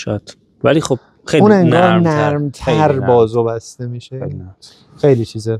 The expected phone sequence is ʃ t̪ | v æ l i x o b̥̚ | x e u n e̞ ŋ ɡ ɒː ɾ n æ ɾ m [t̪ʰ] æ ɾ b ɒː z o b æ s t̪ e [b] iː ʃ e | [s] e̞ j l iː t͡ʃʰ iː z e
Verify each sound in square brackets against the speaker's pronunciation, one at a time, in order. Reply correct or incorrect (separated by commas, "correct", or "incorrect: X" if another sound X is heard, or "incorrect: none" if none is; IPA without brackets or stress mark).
correct, incorrect: m, incorrect: x